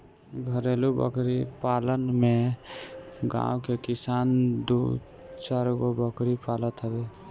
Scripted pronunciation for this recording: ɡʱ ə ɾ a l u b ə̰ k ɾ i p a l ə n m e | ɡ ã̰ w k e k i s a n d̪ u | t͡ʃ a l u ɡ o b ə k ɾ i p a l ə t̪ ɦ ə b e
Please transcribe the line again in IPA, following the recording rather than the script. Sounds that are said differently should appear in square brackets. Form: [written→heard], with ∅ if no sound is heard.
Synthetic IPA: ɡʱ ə ɾ [a→e] l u b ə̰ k ɾ i p a l ə n m e | ɡ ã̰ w k e k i s a n d̪ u | t͡ʃ a [l→ɾ] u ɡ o b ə k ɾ i p a l ə t̪ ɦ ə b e